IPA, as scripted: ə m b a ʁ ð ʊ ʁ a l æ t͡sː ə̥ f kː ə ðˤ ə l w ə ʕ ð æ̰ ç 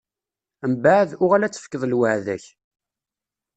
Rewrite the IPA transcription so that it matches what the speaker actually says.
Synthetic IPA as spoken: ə m b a ʕ ð ʊ ʁ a l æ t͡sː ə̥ f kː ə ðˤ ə l w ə ʕ ð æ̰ ç

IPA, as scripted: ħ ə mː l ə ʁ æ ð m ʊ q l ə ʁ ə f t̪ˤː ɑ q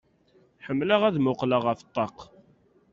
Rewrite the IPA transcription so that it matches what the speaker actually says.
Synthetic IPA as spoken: ħ ə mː l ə ʁ æ ð m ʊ q l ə ʁ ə f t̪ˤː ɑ q

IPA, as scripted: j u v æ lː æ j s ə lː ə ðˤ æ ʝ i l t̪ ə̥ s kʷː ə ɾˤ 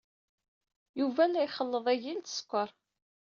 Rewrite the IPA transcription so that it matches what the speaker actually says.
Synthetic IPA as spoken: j u v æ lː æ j χ ə lː ə ðˤ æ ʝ i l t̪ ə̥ s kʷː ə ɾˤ

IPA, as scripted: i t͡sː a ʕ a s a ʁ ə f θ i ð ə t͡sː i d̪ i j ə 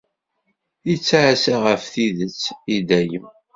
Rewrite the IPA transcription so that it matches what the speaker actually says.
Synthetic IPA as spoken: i t͡sː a ʕ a s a ʁ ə f θ i ð ə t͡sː i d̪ æ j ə

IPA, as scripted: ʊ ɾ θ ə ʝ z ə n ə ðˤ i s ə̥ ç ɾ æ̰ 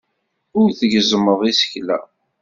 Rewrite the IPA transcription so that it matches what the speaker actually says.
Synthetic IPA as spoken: ʊ ɾ θ ə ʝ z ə m ə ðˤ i s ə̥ ç l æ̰

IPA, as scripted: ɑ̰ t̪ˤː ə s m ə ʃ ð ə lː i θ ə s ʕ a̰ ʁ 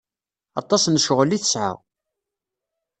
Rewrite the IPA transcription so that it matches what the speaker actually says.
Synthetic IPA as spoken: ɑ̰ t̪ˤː ɑ s n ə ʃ ʁ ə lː i θ ə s ʕ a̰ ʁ

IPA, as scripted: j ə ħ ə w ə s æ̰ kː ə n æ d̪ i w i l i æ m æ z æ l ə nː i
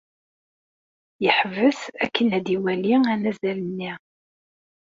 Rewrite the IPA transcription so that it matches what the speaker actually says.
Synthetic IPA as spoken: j ə ħ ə v ə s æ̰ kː ə n æ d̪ i w æ l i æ n æ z æ l ə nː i

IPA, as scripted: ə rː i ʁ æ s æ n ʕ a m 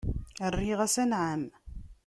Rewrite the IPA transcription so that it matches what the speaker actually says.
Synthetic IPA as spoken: ə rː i ʁ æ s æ n ʕ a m

